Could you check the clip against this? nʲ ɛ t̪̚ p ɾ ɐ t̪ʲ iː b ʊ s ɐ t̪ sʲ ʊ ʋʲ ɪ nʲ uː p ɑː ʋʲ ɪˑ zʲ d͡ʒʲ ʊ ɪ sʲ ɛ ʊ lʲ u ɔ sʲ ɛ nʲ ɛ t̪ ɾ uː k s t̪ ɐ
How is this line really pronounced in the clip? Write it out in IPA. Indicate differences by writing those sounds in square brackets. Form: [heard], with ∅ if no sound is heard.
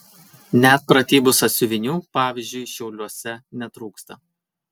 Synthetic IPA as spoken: nʲ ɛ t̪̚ p ɾ ɐ t̪ʲ iː b ʊ s ɐ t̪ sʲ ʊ ʋʲ ɪ nʲ uː p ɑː ʋʲ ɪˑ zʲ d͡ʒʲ ʊ ɪ [ʃʲ] ɛ ʊ lʲ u ɔ sʲ ɛ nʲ ɛ t̪ ɾ uː k s t̪ ɐ